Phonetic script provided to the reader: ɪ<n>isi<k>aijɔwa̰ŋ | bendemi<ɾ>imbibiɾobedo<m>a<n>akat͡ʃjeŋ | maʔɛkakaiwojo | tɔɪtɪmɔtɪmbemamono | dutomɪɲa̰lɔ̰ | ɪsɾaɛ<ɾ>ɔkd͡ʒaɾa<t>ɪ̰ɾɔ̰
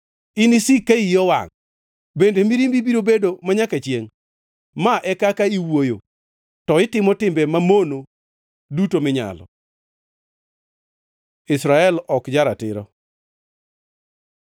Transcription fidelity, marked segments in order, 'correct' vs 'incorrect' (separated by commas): correct, correct, correct, correct, incorrect, incorrect, correct